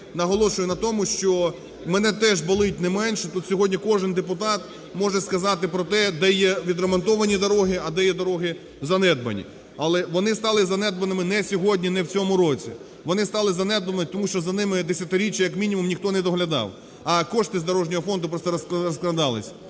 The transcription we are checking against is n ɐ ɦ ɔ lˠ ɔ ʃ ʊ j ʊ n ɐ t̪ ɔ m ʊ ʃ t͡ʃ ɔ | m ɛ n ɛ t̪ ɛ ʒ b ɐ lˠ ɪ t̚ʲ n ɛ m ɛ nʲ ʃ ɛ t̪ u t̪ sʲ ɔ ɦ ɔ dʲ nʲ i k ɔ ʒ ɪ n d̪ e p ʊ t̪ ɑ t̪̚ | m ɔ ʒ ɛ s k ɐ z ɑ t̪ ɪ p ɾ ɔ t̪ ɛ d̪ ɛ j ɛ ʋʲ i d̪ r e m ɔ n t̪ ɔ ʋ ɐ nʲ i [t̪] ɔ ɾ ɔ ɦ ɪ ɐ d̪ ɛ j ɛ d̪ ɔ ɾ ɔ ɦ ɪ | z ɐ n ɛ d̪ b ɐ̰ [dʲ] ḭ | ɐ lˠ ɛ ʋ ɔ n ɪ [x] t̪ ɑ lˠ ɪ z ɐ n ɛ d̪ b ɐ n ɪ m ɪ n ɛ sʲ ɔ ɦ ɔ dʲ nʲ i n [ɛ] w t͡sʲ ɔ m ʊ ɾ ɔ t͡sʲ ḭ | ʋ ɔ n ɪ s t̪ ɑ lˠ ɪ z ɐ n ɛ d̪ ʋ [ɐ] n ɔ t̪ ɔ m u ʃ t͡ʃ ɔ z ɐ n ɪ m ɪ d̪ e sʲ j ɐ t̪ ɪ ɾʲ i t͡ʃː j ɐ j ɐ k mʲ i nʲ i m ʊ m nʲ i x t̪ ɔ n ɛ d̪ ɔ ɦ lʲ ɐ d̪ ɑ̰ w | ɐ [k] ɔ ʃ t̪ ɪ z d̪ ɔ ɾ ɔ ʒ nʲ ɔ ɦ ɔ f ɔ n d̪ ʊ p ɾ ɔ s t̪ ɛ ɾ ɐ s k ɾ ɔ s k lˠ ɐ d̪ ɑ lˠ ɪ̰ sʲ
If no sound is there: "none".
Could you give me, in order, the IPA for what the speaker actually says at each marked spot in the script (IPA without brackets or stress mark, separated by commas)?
d̪, nʲ, s, ɛ, ɐ, k